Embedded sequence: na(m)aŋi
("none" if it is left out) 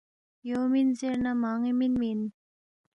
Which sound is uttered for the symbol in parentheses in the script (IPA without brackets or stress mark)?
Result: m